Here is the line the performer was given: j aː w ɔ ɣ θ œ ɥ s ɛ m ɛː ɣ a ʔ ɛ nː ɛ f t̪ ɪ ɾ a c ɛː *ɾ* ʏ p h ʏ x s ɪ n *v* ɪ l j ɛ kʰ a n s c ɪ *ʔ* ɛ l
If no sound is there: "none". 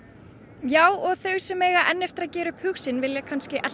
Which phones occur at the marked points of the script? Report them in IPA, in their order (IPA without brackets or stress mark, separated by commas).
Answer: ɾ, v, ʔ